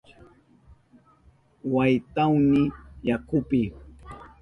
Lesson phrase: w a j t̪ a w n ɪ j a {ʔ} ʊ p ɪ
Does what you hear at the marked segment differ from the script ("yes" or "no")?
yes